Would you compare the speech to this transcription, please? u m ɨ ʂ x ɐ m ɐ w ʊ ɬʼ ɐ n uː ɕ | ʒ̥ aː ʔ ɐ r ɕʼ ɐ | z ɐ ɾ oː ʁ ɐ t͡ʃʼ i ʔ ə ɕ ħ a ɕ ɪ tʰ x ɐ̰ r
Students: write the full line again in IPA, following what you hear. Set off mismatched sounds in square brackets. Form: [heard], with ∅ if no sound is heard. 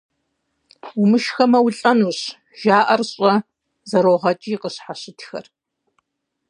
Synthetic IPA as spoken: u m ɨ [ʃ] x ɐ m ɐ w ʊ ɬʼ ɐ n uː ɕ | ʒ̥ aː ʔ ɐ r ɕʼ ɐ | z ɐ ɾ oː ʁ ɐ t͡ʃʼ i [q] ə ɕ ħ a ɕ ɪ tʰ x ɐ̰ r